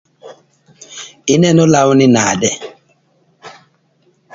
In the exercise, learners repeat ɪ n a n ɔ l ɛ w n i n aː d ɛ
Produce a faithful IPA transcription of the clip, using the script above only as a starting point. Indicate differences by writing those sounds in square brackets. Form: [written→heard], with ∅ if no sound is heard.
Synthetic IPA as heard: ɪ n [a→ɛ] n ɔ l [ɛ→a] w n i n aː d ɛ